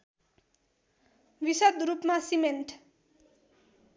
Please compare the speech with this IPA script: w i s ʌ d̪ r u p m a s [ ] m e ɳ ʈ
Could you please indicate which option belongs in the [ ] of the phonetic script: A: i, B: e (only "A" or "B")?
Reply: A